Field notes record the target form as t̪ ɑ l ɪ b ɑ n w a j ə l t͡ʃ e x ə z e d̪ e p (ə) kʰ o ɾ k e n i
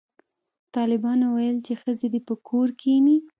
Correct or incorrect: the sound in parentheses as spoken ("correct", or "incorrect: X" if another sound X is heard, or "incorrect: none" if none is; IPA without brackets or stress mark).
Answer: correct